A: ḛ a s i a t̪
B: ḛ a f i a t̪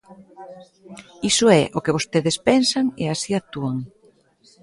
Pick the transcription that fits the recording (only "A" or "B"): A